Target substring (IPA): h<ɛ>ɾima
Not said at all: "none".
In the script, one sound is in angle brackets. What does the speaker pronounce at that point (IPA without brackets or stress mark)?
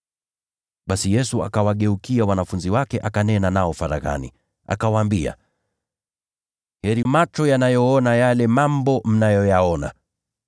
ɛ